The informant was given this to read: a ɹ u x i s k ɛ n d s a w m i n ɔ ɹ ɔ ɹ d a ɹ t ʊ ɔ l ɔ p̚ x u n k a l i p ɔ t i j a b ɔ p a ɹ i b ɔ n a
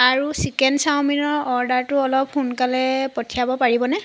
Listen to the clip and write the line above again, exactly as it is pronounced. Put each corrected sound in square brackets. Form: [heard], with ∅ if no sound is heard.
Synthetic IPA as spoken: a ɹ u [s] i [∅] k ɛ n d s a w m i n ɔ ɹ ɔ ɹ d a ɹ t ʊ ɔ l ɔ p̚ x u n k a l [ɛ] p ɔ [tʰ] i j a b ɔ p a ɹ i b ɔ n [ɛ]